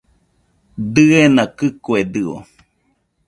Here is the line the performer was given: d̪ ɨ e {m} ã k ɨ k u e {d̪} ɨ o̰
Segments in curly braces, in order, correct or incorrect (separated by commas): incorrect, correct